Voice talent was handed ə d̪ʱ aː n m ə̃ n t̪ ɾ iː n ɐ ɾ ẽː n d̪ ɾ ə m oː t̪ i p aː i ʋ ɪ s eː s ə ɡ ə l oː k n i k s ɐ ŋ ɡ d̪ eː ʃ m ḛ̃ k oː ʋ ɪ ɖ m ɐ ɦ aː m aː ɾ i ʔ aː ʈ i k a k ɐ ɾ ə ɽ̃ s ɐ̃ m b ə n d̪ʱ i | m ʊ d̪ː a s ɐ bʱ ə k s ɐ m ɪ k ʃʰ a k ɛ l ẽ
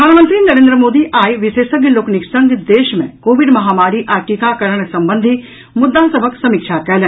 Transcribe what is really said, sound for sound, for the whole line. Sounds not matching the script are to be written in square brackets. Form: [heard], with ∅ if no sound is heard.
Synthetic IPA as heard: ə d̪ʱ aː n m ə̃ n t̪ ɾ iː n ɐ ɾ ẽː n d̪ ɾ ə m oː [d̪] i [ʔ] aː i ʋ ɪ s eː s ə ɡ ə l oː k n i k s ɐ ŋ ɡ d̪ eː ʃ m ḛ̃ k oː ʋ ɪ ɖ m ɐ ɦ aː m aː ɾ i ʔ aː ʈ i k a k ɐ ɾ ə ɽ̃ s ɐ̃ m b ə n d̪ʱ i | m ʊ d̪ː a s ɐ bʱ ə k s ɐ m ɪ k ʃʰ a k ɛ l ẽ